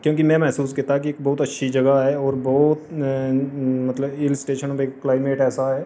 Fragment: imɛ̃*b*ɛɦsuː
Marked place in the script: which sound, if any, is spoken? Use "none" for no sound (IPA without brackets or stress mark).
m